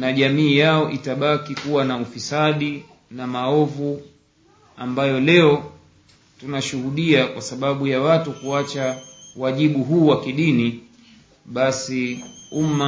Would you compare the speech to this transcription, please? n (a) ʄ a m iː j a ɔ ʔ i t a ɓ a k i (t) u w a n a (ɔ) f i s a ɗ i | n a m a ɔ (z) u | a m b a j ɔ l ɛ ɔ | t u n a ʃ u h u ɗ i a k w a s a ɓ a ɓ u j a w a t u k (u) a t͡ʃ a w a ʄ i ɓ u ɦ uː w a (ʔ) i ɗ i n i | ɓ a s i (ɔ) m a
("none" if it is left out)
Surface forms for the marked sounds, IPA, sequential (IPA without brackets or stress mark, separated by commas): a, k, u, v, u, k, u